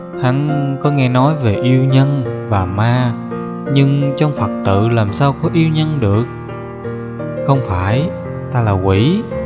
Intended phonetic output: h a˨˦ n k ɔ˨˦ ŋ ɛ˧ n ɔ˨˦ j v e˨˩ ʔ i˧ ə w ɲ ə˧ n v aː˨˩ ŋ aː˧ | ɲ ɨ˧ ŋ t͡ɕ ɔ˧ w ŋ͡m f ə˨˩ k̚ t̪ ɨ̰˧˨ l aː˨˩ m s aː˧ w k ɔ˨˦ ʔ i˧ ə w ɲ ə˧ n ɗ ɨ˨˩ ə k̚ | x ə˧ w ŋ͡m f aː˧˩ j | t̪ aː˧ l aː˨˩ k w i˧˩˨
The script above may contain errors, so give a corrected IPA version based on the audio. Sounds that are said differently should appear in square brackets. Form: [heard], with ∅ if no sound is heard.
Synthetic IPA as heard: h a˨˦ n k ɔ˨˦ ŋ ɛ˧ n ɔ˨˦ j v e˨˩ ʔ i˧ ə w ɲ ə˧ n v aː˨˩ [m] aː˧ | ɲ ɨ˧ ŋ t͡ɕ ɔ˧ w ŋ͡m f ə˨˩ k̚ t̪ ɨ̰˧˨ l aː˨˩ m s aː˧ w k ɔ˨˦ ʔ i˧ ə w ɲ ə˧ n ɗ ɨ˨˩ ə k̚ | x ə˧ w ŋ͡m f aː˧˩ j | t̪ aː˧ l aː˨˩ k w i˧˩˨

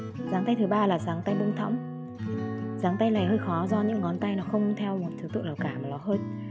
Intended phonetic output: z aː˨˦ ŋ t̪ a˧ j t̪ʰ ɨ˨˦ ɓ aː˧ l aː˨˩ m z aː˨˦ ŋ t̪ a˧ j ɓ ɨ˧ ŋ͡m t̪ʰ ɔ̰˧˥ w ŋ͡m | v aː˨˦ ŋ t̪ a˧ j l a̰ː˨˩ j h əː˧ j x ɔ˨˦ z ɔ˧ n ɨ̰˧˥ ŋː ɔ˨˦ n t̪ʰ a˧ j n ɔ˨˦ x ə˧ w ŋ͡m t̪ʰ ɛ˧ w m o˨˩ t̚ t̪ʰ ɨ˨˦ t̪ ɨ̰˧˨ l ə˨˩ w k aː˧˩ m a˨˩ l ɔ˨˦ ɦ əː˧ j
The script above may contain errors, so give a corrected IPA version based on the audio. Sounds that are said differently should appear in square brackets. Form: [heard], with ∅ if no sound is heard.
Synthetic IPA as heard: z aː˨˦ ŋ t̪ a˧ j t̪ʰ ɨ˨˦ ɓ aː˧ l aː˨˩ [∅] z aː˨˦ ŋ t̪ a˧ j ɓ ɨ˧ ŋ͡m t̪ʰ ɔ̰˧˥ w ŋ͡m | [z] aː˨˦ ŋ t̪ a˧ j l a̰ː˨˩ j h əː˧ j x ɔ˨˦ z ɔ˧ [ɲ] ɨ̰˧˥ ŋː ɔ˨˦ n [t̪] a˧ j n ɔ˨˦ x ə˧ w ŋ͡m t̪ʰ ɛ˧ w m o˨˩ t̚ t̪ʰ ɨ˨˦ t̪ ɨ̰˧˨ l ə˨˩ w k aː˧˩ m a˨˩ l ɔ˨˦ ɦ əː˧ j

